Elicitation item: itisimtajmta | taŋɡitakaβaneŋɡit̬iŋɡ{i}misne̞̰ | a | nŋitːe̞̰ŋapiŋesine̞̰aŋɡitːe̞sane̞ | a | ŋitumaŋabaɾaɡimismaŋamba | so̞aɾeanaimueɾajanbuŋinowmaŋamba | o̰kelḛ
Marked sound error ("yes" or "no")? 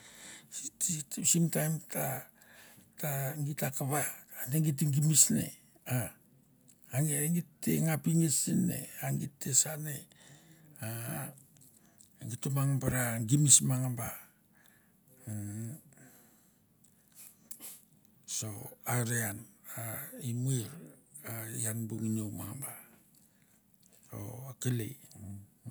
no